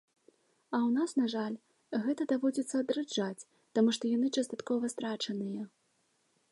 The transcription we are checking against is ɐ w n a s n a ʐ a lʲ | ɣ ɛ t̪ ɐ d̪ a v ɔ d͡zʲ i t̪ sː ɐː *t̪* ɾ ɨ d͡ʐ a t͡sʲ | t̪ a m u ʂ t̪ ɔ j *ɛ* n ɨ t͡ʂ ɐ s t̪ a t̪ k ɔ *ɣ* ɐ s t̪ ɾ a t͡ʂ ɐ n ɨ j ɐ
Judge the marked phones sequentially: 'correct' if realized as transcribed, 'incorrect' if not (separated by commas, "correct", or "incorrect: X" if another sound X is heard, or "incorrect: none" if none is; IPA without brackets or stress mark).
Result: incorrect: d̪, incorrect: a, incorrect: v